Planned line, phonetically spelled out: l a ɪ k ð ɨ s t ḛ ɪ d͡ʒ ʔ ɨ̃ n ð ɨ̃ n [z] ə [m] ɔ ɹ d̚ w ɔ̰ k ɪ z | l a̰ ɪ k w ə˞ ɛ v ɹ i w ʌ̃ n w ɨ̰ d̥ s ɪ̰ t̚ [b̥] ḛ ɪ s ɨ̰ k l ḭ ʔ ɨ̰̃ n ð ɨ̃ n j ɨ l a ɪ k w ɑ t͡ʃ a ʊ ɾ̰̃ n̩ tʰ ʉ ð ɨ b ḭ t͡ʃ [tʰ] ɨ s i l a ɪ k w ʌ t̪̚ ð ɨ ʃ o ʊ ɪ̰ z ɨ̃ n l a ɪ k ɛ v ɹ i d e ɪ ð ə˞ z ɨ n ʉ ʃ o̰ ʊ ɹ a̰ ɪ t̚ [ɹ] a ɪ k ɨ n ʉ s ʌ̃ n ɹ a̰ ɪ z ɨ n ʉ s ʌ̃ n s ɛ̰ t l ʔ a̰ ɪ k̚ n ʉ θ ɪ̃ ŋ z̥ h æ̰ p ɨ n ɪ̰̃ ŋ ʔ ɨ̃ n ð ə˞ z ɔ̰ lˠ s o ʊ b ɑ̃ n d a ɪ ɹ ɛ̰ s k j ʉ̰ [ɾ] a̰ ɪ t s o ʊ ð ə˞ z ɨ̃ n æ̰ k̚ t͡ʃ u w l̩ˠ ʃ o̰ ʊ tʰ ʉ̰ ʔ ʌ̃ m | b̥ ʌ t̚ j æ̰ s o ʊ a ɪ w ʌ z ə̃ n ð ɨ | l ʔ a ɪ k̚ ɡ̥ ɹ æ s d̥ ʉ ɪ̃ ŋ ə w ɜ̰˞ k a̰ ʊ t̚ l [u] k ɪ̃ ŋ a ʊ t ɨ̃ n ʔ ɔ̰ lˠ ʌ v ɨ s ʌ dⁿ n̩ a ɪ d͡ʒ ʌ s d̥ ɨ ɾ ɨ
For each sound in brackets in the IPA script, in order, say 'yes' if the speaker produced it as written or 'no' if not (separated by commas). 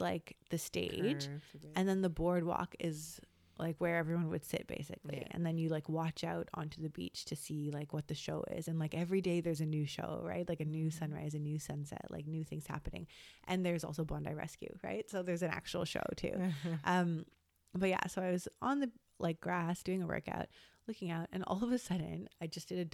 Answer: no, no, yes, yes, no, no, no